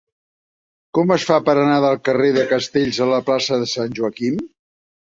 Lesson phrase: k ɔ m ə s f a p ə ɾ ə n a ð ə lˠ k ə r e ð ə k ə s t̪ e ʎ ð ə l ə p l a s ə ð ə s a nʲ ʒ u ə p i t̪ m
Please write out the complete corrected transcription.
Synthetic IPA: k ɔ m ə s f a p ə ɾ ə n a ð ə lˠ k ə r e ð ə k ə s t̪ e ʎ z ə l ə p l a s ə ð ə s a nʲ ʒ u ə k i m